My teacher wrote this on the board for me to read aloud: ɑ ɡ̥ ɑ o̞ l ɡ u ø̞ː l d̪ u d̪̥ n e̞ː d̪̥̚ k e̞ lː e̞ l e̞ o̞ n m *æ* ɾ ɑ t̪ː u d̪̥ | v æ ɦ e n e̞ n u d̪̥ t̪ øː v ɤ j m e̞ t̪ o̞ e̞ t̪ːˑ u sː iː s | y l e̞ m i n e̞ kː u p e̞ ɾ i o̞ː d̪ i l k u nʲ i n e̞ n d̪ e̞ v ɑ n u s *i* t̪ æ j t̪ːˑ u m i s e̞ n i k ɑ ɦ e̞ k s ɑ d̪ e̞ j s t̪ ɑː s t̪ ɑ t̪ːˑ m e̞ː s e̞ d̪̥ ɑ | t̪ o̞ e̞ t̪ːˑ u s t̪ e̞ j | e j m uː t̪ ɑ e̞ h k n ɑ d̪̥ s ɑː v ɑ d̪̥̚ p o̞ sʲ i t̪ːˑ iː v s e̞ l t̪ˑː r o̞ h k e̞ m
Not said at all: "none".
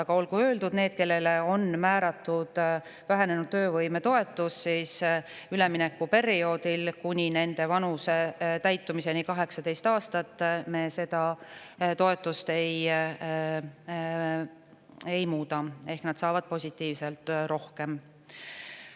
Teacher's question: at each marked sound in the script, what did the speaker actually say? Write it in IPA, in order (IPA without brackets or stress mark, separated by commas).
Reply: æː, e